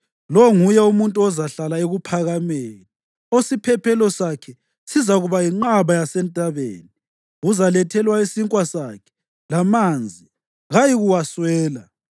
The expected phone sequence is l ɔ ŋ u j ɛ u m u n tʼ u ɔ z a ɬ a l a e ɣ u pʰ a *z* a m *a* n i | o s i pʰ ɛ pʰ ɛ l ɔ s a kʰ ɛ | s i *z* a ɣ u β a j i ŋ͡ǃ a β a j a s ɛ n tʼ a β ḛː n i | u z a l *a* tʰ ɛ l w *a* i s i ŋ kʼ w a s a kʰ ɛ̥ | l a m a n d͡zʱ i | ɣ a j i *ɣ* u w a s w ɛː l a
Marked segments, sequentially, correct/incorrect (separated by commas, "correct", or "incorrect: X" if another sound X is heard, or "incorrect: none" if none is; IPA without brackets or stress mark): incorrect: ɣ, incorrect: e, correct, incorrect: ɛ, correct, correct